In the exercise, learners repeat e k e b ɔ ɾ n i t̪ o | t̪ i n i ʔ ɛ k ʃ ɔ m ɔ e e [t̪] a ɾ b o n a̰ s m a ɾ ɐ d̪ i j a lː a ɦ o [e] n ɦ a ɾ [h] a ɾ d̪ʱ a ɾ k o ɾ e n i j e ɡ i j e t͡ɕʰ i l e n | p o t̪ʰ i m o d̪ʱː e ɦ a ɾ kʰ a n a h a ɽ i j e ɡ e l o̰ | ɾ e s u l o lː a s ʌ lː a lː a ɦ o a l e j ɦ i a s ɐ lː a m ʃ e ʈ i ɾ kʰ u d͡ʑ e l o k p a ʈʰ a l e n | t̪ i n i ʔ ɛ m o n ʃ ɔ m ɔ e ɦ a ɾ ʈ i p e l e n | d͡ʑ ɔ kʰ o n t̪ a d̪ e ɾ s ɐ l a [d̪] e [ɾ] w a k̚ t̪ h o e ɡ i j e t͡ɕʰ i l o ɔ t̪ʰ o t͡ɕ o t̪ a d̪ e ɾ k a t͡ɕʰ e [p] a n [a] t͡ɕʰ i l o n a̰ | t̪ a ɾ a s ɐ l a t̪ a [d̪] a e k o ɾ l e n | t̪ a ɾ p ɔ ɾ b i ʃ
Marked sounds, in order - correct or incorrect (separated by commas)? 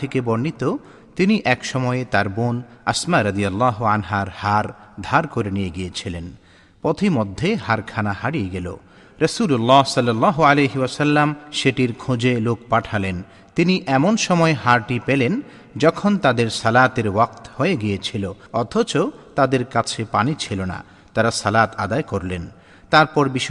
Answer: correct, incorrect, correct, incorrect, correct, correct, incorrect, correct